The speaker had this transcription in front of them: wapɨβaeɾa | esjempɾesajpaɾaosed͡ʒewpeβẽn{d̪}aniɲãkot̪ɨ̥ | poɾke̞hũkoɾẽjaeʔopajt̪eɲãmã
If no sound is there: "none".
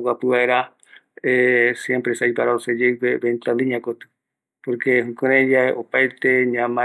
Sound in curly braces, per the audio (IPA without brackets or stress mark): t̪